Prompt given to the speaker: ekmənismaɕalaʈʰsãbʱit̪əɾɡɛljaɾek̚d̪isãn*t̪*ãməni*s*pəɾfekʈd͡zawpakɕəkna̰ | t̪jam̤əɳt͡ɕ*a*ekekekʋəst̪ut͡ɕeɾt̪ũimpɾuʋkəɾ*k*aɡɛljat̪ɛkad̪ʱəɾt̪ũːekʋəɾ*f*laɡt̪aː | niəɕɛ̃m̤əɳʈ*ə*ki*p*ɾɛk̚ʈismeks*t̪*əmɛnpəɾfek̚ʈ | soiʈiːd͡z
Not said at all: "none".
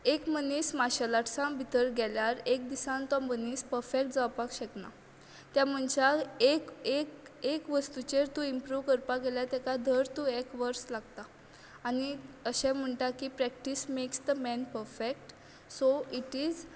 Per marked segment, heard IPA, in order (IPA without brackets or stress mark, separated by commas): t̪, s, a, p, s, a, p, d̪